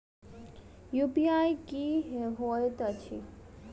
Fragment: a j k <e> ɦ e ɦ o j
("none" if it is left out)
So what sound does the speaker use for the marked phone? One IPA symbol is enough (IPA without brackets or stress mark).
i